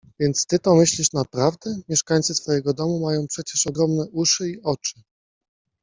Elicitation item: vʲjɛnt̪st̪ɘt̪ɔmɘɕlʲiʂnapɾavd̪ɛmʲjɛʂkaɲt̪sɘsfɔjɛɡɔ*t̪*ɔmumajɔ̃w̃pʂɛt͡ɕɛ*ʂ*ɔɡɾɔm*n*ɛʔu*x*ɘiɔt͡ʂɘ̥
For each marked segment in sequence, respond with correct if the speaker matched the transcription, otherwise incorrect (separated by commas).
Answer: incorrect, correct, correct, incorrect